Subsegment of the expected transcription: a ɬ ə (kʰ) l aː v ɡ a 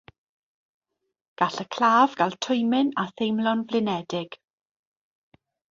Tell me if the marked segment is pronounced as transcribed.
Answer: yes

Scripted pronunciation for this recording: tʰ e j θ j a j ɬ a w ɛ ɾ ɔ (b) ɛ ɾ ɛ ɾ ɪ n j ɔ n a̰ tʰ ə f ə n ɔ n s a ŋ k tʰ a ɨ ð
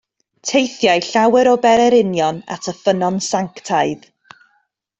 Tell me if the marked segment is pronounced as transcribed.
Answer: yes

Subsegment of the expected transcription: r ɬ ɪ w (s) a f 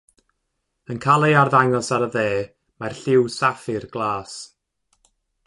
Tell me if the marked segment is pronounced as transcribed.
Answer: yes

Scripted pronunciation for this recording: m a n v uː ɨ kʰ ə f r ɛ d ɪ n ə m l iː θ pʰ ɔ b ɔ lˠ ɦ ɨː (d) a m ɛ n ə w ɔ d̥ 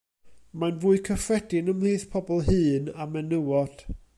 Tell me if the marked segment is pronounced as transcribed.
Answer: no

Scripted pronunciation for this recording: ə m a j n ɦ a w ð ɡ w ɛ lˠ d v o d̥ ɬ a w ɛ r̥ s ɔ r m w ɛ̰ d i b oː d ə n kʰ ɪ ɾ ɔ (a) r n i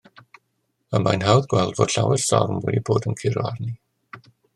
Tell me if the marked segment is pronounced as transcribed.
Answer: yes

